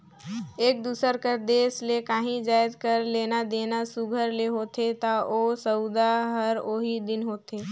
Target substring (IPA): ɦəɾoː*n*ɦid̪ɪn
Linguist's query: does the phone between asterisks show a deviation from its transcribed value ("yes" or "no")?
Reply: yes